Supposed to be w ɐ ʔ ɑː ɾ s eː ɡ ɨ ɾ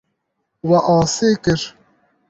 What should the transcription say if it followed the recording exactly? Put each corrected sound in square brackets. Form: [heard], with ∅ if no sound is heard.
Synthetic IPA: w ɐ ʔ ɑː [∅] s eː [k] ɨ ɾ